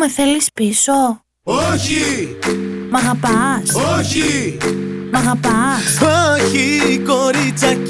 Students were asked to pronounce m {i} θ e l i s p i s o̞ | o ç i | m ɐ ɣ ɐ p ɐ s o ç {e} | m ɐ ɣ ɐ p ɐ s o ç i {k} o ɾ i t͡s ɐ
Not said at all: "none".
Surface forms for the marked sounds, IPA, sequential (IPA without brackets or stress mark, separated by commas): e, i, k